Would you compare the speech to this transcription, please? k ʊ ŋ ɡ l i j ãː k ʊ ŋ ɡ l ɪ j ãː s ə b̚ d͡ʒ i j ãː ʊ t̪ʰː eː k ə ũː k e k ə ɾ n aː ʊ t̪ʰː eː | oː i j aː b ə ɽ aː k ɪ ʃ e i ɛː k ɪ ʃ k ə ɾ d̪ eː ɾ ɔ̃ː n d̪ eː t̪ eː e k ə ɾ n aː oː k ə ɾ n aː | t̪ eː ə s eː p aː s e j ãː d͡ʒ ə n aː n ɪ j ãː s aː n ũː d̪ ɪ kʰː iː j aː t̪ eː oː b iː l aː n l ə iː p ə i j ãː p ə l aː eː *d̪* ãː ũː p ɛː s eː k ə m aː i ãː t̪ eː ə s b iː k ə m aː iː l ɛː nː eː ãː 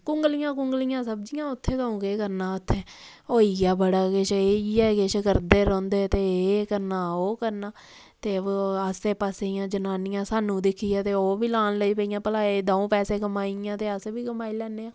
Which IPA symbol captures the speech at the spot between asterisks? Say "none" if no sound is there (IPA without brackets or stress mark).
d̪